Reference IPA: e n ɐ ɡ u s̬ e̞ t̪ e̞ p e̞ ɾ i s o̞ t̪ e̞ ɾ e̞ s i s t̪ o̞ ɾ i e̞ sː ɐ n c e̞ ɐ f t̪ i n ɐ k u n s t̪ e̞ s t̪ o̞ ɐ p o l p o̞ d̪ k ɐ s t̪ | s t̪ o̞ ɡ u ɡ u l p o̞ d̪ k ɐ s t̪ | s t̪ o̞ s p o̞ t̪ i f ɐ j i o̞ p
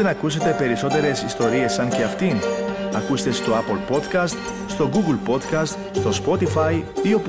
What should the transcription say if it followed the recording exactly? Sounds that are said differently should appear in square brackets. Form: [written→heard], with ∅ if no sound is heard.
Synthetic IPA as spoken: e n ɐ [ɡ→k] u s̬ e̞ t̪ e̞ p e̞ ɾ i s o̞ t̪ e̞ ɾ e̞ s i s t̪ o̞ ɾ i e̞ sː ɐ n c e̞ ɐ f t̪ i n ɐ k u [n→∅] s t̪ e̞ s t̪ o̞ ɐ p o l p o̞ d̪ k ɐ s t̪ | s t̪ o̞ ɡ u ɡ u l p o̞ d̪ k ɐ s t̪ | s t̪ o̞ s p o̞ t̪ i f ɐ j i o̞ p